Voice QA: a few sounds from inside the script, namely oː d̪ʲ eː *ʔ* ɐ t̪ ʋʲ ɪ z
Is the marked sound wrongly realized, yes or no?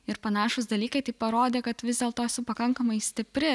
yes